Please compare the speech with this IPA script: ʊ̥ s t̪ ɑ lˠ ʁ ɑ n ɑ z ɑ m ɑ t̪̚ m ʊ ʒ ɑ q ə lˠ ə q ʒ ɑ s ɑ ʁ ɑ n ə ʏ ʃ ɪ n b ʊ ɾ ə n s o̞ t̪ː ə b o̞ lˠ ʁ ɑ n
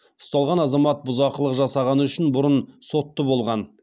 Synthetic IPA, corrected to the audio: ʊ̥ s t̪ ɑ lˠ ʁ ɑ n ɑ z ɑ m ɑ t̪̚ b ʊ z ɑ q ə lˠ ə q ʒ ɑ s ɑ ʁ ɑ n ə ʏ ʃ ɪ n b ʊ ɾ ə n s o̞ t̪ː ə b o̞ lˠ ʁ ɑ n